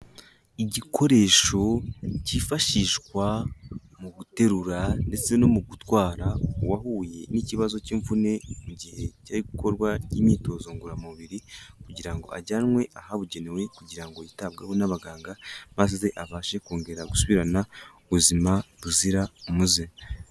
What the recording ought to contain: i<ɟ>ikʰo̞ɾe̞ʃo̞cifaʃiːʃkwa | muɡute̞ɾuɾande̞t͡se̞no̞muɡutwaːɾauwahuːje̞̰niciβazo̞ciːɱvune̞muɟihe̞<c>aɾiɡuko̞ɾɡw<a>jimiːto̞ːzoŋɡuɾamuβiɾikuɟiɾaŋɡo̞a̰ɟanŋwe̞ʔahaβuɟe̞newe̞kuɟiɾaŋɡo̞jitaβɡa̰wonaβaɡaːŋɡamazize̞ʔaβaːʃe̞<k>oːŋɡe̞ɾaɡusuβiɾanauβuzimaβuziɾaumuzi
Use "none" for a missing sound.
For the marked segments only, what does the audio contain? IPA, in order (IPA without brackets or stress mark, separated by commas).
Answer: ɟ, c, a, k